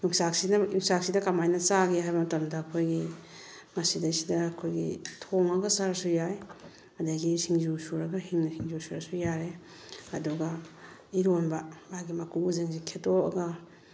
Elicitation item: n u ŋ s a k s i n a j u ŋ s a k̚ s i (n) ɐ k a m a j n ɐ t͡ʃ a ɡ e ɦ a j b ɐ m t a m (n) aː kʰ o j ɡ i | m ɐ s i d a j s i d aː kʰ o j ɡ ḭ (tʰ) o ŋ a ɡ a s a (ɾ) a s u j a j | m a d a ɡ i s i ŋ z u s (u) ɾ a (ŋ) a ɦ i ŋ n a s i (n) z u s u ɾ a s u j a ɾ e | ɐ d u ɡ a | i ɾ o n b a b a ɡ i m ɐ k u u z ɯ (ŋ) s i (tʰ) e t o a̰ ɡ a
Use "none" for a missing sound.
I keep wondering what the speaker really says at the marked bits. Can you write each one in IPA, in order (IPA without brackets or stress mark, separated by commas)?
d, d, tʰ, ɾ, u, ɡ, ŋ, ŋ, kʰ